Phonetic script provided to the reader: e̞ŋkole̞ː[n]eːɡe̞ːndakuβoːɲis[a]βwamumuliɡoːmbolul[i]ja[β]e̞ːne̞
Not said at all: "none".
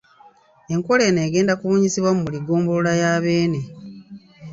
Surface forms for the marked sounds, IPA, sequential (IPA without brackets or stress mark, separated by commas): n, i, a, β